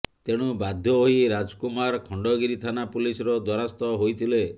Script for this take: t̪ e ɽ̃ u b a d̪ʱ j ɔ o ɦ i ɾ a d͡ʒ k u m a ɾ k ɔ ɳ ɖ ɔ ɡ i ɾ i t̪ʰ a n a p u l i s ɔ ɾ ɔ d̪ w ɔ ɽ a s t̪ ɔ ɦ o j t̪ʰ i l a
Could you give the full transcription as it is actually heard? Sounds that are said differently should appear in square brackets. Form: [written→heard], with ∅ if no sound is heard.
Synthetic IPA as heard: t̪ e ɽ̃ u b a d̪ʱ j ɔ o ɦ i ɾ a d͡ʒ k u m a ɾ [k→kʰ] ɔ ɳ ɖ ɔ ɡ i ɾ i t̪ʰ a n a p u l i s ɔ ɾ ɔ d̪ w ɔ [ɽ→ɾ] a s t̪ ɔ ɦ o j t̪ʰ i l [a→e]